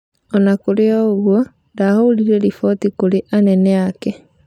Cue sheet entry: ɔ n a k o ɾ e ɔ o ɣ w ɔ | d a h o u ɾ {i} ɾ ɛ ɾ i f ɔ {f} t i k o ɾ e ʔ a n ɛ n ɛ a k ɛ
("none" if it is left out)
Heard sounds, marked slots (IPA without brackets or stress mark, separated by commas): i, none